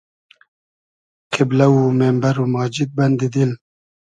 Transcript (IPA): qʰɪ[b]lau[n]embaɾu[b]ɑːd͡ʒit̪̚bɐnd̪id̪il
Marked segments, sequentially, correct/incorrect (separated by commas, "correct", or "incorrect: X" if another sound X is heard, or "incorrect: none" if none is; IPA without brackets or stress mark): correct, incorrect: m, incorrect: m